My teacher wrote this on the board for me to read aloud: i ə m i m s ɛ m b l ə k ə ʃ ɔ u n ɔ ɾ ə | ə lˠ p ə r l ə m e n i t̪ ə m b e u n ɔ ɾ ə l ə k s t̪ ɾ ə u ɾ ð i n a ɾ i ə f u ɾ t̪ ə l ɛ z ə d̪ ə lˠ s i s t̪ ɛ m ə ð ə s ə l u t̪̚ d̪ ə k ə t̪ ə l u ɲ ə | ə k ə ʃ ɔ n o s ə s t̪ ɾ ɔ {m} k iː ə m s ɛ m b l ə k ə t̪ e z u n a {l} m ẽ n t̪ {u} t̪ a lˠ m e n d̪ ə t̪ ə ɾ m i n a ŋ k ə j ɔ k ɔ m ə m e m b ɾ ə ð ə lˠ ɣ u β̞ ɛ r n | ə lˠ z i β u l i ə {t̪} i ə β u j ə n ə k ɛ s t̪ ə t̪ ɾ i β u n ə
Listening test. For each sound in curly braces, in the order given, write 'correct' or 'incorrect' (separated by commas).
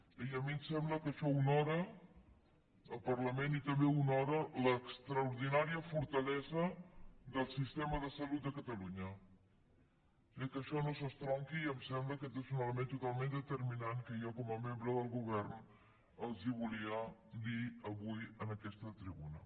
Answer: incorrect, correct, correct, incorrect